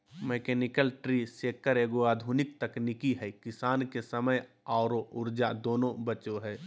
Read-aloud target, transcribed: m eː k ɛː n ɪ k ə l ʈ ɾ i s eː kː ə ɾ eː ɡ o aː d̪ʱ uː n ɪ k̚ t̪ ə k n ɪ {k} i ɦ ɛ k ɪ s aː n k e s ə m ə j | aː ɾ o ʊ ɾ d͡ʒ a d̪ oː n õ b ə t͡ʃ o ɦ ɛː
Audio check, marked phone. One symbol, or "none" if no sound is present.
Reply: k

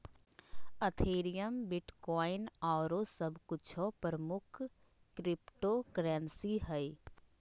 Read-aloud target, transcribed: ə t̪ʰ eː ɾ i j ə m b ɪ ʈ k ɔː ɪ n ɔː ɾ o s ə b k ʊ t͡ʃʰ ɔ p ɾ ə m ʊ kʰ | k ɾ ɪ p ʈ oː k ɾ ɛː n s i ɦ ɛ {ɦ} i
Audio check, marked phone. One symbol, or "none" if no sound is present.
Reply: none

